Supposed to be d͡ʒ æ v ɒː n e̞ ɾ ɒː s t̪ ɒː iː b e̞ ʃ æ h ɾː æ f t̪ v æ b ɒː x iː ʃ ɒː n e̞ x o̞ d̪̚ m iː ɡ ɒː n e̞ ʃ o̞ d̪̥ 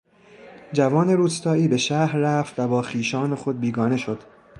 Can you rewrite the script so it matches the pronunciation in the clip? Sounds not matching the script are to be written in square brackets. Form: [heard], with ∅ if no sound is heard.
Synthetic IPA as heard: d͡ʒ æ v ɒː n e̞ ɾ [uː] s t̪ ɒː iː b e̞ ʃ æ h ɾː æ f t̪ v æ b ɒː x iː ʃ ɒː n e̞ x o̞ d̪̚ [b] iː ɡ ɒː n e̞ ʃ o̞ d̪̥